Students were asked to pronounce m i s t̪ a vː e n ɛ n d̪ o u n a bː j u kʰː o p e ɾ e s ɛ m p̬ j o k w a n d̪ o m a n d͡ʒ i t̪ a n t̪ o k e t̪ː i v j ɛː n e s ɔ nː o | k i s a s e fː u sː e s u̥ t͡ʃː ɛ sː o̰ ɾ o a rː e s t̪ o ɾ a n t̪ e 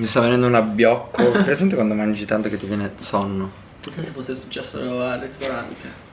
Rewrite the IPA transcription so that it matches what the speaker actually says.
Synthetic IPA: m i s t̪ a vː e n ɛ n d̪ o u n a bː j ɔ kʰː o p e ɾ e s ɛ m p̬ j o k w a n d̪ o m a n d͡ʒ i t̪ a n t̪ o k e t̪ː i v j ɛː n e s ɔ nː o | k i s a s e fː o sː e s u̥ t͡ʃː ɛ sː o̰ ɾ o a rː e s t̪ o ɾ a n t̪ e